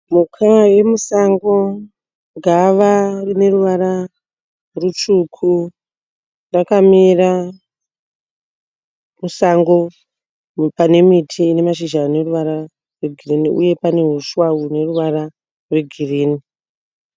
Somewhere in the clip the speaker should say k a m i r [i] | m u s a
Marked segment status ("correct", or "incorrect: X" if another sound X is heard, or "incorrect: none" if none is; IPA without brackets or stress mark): incorrect: a